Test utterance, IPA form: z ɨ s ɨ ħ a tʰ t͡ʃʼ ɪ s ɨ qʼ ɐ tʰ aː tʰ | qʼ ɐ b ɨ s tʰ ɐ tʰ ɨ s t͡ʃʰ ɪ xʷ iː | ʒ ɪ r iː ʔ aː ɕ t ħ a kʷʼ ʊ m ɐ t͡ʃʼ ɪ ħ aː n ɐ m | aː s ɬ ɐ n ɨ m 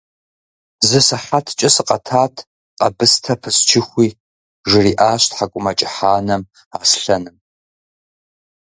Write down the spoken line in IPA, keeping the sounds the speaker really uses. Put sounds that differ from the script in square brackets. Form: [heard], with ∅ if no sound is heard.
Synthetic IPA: z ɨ s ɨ ħ a tʰ t͡ʃʼ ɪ s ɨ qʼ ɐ tʰ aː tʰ | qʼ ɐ b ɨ s tʰ ɐ [pʰ] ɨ s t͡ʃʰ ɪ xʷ iː | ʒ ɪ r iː ʔ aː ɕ t ħ a kʷʼ ʊ m ɐ t͡ʃʼ ɪ ħ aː n ɐ m | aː s ɬ ɐ n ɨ m